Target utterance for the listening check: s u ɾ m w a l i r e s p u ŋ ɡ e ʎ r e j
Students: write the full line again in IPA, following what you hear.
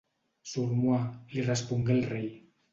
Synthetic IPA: s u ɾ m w a l i r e s p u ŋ ɡ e l r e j